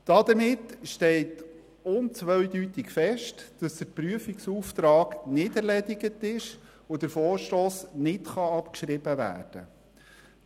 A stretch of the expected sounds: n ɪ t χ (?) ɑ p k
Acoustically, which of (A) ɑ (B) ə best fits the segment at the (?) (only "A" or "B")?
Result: A